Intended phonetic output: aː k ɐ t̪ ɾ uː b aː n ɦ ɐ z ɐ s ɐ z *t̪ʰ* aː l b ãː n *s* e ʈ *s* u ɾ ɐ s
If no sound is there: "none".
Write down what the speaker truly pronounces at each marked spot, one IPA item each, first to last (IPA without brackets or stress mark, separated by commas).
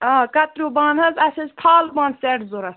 t̪ʰ, s, z